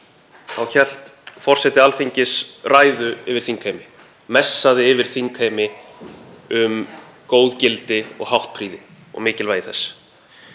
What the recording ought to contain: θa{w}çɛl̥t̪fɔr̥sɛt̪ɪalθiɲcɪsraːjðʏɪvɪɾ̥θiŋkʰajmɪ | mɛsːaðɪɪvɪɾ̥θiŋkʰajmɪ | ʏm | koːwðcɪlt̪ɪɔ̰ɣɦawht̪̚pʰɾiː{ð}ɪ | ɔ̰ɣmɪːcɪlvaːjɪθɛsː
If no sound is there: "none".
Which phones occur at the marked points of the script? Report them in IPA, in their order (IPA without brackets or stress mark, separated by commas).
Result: w, ð